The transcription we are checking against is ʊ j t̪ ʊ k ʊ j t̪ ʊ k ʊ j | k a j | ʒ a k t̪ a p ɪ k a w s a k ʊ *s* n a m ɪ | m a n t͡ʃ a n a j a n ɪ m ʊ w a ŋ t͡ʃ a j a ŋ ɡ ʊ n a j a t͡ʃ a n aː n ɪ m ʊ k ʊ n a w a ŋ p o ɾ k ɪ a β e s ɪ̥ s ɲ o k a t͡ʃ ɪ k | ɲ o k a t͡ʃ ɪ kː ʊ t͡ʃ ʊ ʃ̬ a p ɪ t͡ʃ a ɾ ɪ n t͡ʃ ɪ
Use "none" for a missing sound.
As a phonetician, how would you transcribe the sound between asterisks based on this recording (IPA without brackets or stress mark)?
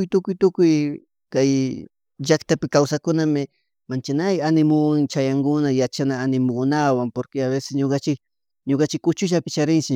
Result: none